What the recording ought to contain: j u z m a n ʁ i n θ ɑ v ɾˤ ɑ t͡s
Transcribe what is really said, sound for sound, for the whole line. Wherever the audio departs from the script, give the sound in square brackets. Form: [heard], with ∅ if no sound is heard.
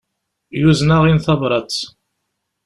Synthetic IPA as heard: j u z [n] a [∅] ʁ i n θ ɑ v ɾˤ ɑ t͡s